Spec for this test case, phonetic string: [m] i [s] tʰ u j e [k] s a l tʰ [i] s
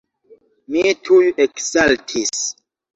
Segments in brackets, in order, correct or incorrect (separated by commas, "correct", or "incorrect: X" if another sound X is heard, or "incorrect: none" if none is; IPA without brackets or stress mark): correct, incorrect: none, correct, correct